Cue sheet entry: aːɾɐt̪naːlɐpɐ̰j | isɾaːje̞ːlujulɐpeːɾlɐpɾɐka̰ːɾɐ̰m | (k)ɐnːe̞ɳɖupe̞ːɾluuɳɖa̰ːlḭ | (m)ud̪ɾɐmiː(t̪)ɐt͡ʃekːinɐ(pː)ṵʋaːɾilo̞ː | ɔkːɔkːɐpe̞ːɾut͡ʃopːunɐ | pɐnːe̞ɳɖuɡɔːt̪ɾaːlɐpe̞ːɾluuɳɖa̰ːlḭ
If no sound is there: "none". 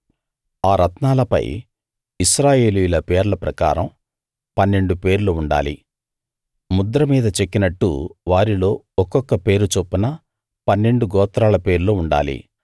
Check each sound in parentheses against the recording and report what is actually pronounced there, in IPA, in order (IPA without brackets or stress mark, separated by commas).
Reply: p, m, d̪, ʈː